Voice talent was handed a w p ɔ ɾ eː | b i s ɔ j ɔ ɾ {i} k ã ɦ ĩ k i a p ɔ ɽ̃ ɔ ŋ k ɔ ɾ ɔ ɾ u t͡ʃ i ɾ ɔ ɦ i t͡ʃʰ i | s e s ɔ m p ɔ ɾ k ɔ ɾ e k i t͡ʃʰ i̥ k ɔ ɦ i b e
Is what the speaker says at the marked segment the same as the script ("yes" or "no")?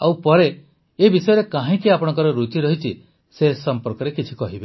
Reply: no